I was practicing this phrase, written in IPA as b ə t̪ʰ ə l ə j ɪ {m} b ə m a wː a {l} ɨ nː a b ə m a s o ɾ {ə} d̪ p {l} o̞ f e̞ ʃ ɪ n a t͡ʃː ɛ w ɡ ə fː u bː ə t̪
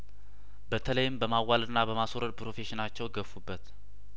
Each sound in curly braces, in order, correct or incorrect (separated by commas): correct, correct, correct, incorrect